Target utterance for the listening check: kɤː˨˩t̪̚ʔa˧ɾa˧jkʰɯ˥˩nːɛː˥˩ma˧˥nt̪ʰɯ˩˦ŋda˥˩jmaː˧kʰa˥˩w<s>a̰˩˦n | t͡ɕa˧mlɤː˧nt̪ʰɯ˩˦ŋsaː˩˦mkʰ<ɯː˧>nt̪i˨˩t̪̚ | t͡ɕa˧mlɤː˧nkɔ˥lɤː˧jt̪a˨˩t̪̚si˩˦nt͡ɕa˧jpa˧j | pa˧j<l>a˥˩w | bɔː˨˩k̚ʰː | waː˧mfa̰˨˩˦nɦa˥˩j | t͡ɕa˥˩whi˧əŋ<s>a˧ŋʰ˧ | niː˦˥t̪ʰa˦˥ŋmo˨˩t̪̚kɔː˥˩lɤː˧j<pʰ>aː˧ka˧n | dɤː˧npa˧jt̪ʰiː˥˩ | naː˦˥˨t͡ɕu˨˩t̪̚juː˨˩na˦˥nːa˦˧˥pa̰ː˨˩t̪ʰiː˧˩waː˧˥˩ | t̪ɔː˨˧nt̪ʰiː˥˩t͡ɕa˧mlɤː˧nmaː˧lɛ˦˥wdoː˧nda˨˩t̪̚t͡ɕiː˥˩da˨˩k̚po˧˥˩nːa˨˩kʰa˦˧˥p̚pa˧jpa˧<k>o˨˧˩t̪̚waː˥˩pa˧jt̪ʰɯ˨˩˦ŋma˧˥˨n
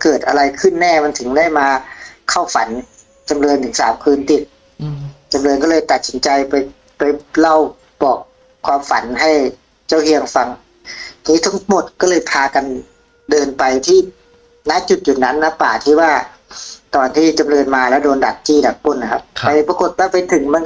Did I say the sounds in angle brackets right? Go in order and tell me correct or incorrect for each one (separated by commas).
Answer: incorrect, correct, correct, incorrect, correct, correct